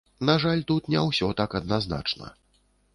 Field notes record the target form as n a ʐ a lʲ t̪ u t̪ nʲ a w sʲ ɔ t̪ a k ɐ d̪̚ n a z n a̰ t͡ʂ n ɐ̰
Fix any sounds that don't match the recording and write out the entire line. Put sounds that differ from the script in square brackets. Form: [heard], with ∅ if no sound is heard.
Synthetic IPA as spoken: n a ʐ a lʲ t̪ u t̪ nʲ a w sʲ ɔ t̪ a k ɐ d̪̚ n a z n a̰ t͡ʂ n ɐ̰